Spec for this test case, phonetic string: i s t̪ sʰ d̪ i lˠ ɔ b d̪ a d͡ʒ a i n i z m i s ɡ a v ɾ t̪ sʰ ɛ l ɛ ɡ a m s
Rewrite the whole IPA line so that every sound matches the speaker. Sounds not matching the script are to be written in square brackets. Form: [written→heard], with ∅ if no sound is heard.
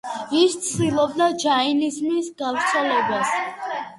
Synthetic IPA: i s t̪ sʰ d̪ i lˠ ɔ b d̪ a d͡ʒ a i n i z m i s ɡ a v ɾ t̪ sʰ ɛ l ɛ [ɡ→b] a [m→∅] s